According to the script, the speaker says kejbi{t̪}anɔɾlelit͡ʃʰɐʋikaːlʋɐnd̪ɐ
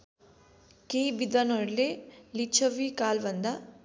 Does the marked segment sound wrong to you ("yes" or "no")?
yes